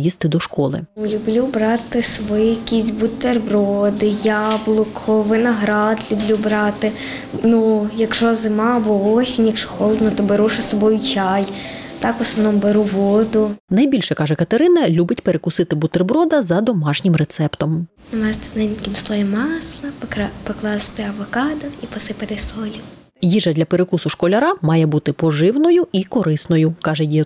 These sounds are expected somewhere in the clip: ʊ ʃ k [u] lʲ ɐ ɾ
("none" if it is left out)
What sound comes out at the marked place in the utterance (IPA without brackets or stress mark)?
ɔ